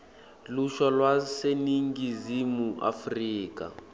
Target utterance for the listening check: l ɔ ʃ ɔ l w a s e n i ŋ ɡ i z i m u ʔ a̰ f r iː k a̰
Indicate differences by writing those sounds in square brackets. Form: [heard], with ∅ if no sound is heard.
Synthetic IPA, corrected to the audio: l [u] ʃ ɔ l w a s e n i ŋ ɡ i z i m u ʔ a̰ f r iː k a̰